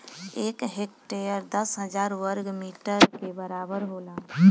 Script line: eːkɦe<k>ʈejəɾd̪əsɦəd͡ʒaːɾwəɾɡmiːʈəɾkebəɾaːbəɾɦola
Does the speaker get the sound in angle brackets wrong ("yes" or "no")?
no